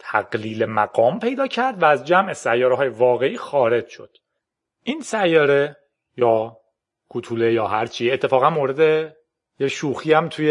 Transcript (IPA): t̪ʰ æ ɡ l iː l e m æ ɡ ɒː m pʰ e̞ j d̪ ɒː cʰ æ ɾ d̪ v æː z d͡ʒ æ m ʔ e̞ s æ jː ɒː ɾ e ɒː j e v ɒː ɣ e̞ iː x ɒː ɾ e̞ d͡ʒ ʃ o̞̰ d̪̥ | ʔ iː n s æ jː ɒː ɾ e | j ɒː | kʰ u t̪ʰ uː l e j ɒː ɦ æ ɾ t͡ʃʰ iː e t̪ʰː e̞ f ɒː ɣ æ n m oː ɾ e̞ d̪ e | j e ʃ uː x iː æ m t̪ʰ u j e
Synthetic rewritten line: t̪ʰ æ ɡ l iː l e m æ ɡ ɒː m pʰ e̞ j d̪ ɒː cʰ æ ɾ d̪ v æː z d͡ʒ æ m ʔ e̞ s æ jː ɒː ɾ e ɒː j e v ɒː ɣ e̞ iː x ɒː ɾ e̞ d͡ʒ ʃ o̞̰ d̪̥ | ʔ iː n s æ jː ɒː ɾ e | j ɒː | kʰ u t̪ʰ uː l e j ɒː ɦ æ ɾ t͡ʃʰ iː e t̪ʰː e̞ f ɒː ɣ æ n m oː ɾ e̞ d̪ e | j e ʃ uː x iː æ m t̪ʰ u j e